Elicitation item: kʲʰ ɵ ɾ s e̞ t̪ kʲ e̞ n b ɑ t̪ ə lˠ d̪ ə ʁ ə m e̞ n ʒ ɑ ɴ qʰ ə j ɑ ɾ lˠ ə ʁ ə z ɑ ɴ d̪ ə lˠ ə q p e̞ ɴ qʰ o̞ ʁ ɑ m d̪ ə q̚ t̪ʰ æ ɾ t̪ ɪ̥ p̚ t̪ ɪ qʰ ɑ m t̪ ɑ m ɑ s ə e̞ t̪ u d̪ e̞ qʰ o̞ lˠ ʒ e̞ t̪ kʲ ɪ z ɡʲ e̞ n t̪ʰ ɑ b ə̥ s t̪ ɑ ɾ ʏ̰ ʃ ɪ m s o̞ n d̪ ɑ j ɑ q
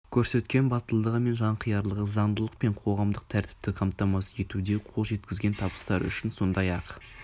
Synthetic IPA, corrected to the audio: kʲʰ ɵ ɾ s e̞ t̪ kʲ e̞ n b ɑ t̪ ə lˠ d̪ ə ʁ ə m e̞ n ʒ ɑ ɴ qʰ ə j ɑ ɾ lˠ ə ʁ ə z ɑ ɴ d̪ ə lˠ ə q p e̞ ɴ qʰ o̞ ʁ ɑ m d̪ ə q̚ t̪ʰ æ ɾ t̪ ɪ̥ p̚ t̪ ɪ qʰ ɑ m t̪ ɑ m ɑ s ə e̞ t̪ u d̪ e̞ qʰ o̞ lˠ ʒ e̞ t̪ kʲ ɪ z ɡʲ e̞ n t̪ʰ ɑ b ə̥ s t̪ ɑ ɾ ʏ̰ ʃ ɪ n s o̞ n d̪ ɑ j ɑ q